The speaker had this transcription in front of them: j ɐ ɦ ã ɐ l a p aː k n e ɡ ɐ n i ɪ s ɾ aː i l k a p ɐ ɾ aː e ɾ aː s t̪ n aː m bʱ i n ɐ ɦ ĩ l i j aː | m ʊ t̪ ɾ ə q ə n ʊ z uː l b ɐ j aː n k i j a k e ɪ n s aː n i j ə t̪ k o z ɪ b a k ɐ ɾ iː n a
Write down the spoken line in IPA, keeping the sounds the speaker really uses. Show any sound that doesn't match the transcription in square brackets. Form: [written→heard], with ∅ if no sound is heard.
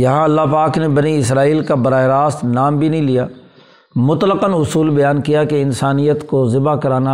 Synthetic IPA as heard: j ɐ ɦ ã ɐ [l→lː] a p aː k n e [ɡ→b] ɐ n i ɪ s ɾ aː [i→iː] l k a [p→b] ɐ ɾ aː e ɾ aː s t̪ n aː m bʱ i n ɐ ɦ ĩ l i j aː | m ʊ t̪ [ɾ→l] ə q ə n ʊ [z→s] uː l b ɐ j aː n k i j a k e ɪ n s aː n i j ə t̪ k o z ɪ b a k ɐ ɾ [iː→aː] n a